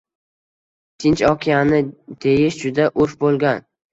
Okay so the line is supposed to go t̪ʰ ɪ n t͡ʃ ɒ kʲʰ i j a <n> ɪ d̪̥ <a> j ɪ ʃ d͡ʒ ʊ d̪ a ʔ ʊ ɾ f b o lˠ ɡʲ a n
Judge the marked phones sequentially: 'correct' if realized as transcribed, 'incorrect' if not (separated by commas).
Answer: correct, incorrect